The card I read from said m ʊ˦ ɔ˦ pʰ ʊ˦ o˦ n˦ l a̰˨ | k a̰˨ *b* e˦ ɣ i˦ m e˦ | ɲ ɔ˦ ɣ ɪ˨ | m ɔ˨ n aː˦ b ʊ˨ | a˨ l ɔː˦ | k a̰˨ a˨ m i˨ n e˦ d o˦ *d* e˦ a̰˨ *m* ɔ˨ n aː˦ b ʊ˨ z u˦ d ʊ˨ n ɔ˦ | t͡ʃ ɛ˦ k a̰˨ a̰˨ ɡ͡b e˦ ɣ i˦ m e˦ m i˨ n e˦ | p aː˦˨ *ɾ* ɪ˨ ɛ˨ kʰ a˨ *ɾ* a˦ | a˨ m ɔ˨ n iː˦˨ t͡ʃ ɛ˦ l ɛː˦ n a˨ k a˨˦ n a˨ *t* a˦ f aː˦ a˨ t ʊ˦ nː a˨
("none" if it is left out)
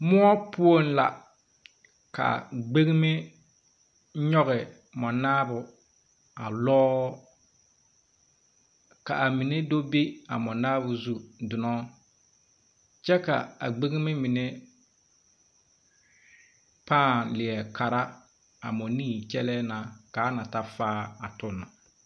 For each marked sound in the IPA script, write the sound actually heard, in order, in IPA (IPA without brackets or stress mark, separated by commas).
ɡ͡b, b, m, l, ɾ, t